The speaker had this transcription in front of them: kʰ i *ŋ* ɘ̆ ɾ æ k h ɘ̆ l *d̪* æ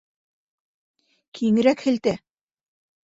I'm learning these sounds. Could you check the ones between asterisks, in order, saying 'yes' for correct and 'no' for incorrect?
yes, no

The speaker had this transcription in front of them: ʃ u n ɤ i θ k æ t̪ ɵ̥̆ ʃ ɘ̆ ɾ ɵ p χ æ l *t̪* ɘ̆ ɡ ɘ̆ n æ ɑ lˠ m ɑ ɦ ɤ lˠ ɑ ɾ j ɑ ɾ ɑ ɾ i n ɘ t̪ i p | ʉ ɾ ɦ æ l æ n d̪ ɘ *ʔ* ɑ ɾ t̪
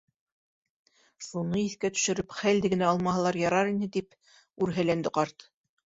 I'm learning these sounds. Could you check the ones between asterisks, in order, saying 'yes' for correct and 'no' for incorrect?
no, no

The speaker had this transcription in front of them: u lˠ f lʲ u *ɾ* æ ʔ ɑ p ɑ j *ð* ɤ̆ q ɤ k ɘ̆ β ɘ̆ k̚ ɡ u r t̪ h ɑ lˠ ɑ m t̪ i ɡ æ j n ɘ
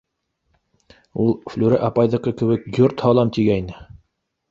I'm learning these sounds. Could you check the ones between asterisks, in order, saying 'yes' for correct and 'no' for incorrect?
yes, yes

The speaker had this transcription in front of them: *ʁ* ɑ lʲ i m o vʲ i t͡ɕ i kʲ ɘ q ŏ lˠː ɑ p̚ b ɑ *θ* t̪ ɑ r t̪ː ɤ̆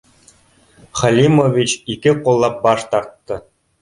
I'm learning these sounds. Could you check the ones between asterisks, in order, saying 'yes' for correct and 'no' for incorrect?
no, no

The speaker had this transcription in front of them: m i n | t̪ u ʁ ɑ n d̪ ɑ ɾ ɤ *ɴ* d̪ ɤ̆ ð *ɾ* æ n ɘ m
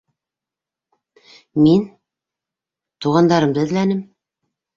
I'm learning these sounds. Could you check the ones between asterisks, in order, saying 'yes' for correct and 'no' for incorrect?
no, no

